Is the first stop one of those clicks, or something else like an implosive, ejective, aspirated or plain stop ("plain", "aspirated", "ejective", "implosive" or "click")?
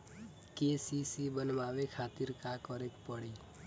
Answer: plain